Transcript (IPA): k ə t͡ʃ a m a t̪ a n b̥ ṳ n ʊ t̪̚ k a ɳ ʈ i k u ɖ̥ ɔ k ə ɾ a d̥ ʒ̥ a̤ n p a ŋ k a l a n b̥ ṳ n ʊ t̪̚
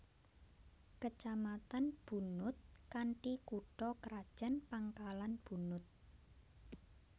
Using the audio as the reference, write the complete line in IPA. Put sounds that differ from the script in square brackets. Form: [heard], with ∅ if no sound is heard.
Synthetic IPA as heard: k ə t͡ʃ a m a t̪ a n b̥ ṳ n ʊ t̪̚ k a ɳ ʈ i k u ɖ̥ ɔ k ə ɾ a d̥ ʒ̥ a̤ n p a ŋ k a l a n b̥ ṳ n ʊ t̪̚